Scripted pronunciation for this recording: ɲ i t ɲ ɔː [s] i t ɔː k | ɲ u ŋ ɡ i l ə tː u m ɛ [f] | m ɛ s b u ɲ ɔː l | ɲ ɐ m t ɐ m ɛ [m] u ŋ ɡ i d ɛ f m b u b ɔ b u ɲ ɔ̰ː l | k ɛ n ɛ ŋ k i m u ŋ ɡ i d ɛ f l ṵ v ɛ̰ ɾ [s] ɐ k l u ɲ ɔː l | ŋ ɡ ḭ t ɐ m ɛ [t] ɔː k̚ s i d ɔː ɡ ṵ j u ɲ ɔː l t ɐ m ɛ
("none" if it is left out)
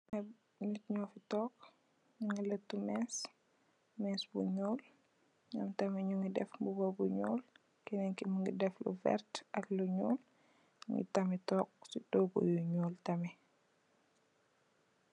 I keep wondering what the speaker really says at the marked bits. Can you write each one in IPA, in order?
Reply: f, s, ɲ, t, t

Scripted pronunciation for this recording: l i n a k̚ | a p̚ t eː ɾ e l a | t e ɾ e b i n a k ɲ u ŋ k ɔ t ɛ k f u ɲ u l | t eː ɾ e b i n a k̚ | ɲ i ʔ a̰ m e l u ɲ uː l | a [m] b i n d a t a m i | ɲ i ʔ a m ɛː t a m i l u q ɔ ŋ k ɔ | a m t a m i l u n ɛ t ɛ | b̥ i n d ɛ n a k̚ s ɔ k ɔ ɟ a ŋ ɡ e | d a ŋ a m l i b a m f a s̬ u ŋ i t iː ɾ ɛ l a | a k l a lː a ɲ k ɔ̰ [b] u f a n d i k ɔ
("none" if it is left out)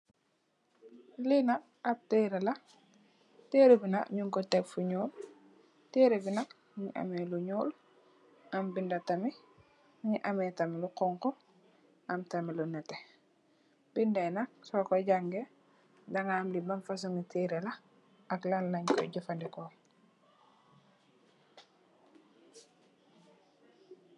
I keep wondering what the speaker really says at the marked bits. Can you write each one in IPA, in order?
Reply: m, ɟ

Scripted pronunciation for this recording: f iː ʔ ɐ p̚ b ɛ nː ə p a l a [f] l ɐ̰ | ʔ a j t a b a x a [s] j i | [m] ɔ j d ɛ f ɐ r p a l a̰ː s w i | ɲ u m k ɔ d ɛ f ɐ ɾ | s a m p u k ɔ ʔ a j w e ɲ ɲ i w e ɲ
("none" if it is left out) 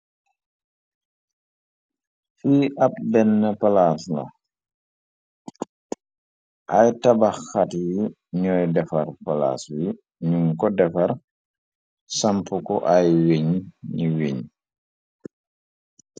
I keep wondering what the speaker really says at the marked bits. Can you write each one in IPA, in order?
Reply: s, t, ɲ

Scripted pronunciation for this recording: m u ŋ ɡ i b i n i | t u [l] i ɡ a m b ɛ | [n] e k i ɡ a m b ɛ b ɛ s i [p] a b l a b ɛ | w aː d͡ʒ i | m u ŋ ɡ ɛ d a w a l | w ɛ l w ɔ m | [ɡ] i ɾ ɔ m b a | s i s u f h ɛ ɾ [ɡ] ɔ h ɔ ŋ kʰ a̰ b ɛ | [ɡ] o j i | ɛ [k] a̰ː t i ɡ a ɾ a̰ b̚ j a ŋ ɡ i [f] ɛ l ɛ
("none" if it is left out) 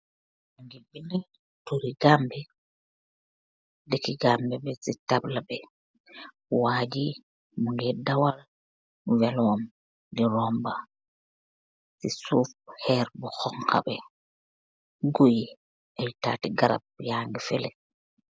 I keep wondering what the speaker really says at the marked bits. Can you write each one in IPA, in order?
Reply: ɾ, d, t, d, b, ɡ, t, f

